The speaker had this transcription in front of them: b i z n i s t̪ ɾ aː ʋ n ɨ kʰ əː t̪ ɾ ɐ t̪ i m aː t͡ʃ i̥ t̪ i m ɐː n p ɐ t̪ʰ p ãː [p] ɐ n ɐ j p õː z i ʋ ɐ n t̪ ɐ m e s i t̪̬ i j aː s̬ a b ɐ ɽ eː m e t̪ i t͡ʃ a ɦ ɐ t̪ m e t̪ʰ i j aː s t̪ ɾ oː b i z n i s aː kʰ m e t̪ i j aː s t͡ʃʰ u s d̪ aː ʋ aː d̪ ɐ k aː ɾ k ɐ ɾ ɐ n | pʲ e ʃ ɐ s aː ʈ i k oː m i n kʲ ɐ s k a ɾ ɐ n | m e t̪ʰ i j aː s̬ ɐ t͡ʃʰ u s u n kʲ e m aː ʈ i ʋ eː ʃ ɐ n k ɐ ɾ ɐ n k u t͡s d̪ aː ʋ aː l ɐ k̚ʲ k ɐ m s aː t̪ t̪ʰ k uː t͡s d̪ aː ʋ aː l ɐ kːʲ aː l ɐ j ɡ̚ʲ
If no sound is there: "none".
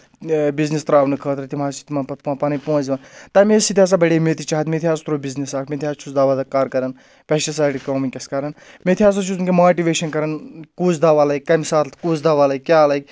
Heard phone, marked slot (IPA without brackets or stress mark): p